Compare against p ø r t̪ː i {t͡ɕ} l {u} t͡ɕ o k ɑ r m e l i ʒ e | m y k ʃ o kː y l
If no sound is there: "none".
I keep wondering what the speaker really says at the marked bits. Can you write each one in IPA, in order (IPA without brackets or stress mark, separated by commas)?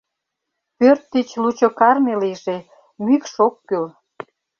t͡ɕ, u